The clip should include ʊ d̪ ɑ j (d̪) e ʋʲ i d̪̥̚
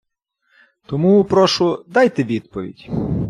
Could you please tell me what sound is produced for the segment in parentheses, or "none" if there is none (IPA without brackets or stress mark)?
t̪